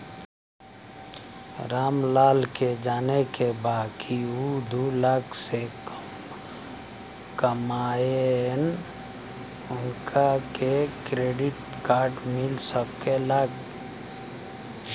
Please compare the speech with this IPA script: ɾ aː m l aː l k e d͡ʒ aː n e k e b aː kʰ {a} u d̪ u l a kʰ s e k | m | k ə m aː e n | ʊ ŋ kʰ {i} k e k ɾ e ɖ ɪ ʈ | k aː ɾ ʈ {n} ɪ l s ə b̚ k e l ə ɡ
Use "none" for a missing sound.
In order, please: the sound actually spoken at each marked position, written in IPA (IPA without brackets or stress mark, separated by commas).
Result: i, a, m